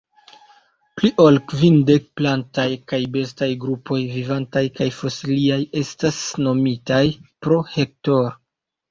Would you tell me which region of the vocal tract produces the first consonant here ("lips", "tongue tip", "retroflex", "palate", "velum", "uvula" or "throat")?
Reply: lips